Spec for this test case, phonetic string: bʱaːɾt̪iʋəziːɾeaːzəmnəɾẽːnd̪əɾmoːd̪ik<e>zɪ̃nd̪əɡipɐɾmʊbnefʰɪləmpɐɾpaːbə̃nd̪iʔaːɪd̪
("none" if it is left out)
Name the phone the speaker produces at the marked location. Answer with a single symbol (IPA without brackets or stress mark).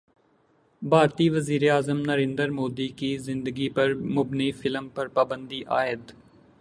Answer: i